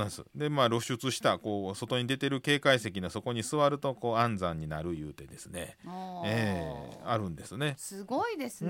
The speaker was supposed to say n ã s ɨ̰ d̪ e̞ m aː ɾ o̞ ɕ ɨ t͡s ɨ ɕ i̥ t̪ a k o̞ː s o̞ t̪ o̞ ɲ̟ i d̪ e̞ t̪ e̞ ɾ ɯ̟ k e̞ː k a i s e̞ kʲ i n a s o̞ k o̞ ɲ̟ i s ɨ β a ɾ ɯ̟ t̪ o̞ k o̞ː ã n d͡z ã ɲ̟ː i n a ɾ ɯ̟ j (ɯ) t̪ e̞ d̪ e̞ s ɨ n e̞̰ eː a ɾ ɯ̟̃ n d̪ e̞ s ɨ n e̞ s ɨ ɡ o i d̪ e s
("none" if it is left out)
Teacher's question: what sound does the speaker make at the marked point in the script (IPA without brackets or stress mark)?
ɯː